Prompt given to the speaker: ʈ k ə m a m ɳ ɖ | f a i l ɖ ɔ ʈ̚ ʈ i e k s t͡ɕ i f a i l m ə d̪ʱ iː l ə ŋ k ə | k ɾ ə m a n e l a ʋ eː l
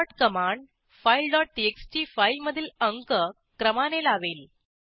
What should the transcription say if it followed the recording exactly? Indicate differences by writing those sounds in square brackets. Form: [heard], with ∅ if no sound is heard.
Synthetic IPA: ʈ k ə m a [∅] ɳ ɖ | f a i l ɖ ɔ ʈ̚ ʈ i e k s t͡ɕ i f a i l m ə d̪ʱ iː l ə ŋ k ə | k ɾ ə m a n e l a ʋ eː l